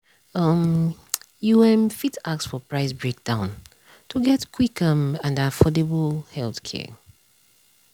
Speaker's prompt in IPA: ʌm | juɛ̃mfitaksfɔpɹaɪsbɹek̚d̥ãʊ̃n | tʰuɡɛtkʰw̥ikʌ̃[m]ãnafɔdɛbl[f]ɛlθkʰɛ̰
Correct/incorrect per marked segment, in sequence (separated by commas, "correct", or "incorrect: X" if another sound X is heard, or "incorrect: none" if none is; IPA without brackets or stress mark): correct, incorrect: h